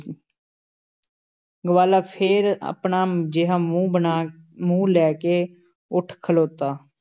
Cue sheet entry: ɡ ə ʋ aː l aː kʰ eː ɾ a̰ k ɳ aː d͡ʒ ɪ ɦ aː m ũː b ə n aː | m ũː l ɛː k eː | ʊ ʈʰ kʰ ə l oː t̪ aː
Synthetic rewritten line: ɡ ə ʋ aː l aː pʰ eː ɾ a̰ p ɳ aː d͡ʒ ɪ ɦ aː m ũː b ə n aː | m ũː l ɛː k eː | ʊ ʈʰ kʰ ə l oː t̪ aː